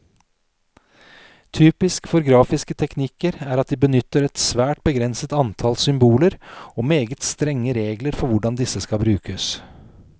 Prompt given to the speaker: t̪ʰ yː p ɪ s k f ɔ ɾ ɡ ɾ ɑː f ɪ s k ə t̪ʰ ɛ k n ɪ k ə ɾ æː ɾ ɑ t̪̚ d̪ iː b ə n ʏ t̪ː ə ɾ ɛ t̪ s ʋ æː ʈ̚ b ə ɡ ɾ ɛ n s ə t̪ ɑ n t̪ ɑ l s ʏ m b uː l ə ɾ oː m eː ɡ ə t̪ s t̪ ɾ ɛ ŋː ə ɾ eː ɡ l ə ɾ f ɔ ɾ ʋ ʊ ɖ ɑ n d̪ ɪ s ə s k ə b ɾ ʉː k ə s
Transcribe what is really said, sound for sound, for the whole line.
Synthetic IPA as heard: t̪ʰ yː p ɪ s k f ɔ ɾ ɡ ɾ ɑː f ɪ s k ə t̪ʰ ɛ k n ɪ k ə ɾ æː ɾ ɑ t̪̚ d̪ iː b ə n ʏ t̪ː ə ɾ ɛ t̪ s ʋ æː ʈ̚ b ə ɡ ɾ ɛ n s ə t̪ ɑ n t̪ʰ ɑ l s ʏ m b uː l ə ɾ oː m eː ɡ ə t̪ s t̪ ɾ ɛ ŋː ə ɾ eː ɡ l ə ɾ f ɔ ɾ ʋ ʊ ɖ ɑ n d̪ ɪ s ə s k ɑ b ɾ ʉː k ə s